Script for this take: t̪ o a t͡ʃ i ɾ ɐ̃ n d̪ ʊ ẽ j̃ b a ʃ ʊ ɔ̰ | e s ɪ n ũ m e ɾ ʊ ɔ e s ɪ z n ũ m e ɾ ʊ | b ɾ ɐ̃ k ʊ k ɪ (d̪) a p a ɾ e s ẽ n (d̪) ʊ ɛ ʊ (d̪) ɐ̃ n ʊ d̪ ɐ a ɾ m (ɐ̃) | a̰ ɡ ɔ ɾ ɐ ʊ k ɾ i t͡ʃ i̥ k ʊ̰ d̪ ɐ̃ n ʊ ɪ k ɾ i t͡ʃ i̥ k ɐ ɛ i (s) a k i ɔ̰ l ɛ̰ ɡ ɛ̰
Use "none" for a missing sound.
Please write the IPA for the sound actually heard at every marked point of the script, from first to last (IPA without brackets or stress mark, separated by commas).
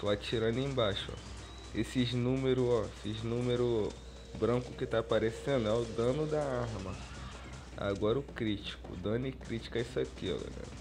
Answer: t̪, d̪, d̪, ɐ, s